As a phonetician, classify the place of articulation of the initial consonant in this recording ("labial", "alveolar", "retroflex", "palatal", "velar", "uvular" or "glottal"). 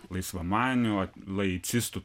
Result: alveolar